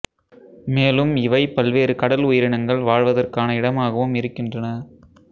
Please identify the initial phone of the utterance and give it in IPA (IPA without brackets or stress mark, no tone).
m